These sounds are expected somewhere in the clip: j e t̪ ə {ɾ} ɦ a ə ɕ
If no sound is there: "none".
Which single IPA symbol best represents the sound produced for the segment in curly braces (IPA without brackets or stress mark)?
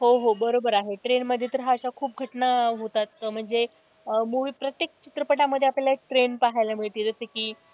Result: ɾ